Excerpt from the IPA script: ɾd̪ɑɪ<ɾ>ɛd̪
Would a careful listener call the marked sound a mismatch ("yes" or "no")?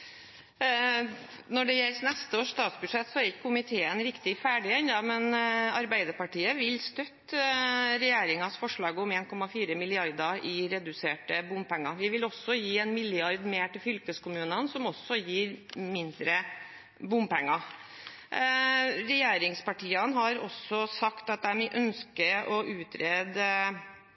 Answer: no